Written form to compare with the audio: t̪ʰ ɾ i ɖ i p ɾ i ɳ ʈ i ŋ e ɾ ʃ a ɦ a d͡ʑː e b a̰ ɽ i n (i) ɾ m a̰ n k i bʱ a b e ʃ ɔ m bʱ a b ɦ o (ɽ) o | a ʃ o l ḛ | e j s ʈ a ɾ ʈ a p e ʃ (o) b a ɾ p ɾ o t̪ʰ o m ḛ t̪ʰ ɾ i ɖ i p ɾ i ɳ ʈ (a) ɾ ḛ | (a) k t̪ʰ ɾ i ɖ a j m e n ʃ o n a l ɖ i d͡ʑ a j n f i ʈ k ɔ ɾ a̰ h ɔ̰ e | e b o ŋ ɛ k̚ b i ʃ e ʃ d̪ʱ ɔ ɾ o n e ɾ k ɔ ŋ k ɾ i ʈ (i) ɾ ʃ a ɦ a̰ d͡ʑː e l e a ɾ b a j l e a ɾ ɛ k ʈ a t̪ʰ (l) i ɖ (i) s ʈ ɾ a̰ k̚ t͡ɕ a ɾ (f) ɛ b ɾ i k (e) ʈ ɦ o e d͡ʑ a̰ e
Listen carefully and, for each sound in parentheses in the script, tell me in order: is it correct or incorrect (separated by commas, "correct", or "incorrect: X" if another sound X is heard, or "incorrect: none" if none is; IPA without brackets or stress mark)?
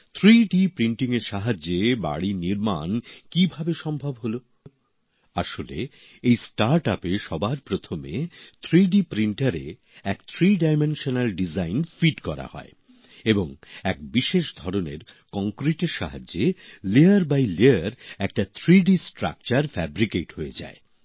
correct, incorrect: l, incorrect: ɔ, correct, incorrect: ɛ, incorrect: e, incorrect: ɾ, correct, correct, correct